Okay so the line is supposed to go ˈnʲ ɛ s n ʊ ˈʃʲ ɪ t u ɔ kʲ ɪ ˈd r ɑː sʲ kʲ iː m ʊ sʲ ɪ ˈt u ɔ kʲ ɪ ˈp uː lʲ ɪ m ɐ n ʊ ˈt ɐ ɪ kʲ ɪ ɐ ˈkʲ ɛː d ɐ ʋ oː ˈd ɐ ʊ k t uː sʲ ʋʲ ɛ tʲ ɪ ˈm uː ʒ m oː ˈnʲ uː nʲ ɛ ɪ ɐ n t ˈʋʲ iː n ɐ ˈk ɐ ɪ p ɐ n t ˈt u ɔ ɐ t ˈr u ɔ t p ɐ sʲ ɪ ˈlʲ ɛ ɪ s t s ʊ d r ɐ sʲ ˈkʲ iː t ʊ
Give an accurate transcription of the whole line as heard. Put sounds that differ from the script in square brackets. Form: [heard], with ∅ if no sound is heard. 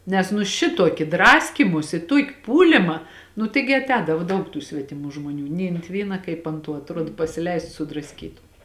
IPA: ˈnʲ ɛ s n ʊ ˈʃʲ ɪ t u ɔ kʲ ɪ ˈd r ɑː sʲ kʲ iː m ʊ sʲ ɪ ˈt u ɔ kʲ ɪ ˈp uː lʲ ɪ m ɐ n ʊ ˈt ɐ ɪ [ɡʲ] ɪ ɐ [ˈtʲ] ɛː d ɐ ʋ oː ˈd ɐ ʊ k t uː sʲ ʋʲ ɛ tʲ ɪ ˈm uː ʒ m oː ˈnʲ uː nʲ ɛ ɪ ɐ n t ˈʋʲ iː n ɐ ˈk ɐ ɪ p ɐ n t ˈt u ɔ ɐ t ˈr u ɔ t p ɐ sʲ ɪ ˈlʲ ɛ ɪ s t s ʊ d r ɐ sʲ ˈkʲ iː t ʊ